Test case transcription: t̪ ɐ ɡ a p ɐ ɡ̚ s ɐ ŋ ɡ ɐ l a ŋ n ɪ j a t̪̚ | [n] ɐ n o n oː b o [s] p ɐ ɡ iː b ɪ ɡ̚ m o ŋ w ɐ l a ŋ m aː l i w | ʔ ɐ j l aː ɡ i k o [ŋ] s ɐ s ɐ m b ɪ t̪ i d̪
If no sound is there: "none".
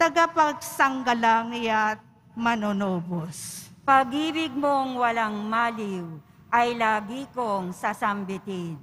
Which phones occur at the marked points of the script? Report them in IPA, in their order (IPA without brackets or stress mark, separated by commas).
m, s, ŋ